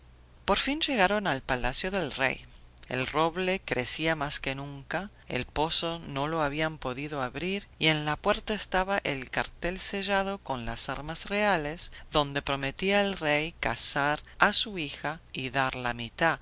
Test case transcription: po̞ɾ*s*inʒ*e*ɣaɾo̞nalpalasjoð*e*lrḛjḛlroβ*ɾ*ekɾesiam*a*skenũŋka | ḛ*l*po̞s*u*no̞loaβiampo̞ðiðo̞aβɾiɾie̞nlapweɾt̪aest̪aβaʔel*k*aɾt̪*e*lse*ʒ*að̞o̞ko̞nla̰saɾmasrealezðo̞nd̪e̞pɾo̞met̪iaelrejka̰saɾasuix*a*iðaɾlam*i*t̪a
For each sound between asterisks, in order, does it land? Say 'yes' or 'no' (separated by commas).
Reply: no, yes, yes, no, yes, yes, no, yes, yes, yes, yes, yes